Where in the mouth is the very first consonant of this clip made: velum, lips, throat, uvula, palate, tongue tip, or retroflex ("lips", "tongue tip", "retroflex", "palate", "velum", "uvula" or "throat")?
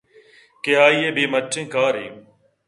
velum